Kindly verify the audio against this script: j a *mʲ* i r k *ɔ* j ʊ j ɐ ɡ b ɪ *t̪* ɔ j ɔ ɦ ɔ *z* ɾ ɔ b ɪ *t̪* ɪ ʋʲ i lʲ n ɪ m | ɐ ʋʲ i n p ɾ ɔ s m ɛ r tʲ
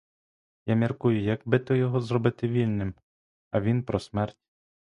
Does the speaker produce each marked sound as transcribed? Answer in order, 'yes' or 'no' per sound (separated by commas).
yes, no, yes, yes, yes